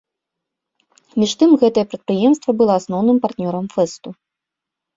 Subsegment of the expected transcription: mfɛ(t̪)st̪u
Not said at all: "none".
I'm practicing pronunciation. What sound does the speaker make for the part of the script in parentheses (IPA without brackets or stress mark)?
none